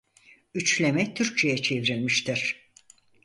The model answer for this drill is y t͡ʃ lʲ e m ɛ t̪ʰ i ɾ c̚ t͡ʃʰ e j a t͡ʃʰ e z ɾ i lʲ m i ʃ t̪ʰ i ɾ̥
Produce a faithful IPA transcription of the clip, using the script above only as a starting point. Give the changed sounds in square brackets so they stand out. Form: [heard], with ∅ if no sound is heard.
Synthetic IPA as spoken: y t͡ʃ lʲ e m ɛ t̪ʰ [y] ɾ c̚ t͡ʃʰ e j [ɛ] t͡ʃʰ e [v] ɾ i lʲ m i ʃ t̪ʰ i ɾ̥